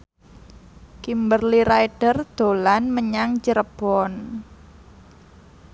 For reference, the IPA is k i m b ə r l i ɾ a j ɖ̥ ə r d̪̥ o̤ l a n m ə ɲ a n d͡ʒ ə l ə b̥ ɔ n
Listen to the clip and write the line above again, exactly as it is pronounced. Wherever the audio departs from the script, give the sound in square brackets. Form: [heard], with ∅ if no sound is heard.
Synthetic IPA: k i m b ə r l i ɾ a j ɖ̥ ə r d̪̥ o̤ l a n m ə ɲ a [ŋ] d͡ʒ ə [ɾ] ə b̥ ɔ n